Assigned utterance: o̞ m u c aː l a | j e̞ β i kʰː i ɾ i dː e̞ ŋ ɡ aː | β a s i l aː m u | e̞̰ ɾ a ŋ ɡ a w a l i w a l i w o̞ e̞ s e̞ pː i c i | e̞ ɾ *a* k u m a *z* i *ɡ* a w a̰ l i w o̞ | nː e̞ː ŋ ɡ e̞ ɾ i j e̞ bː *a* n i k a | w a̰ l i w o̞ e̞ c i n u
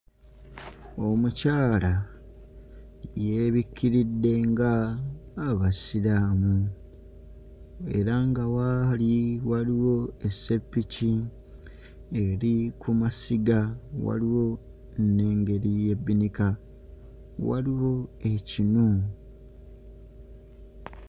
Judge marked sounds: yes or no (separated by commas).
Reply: no, no, yes, no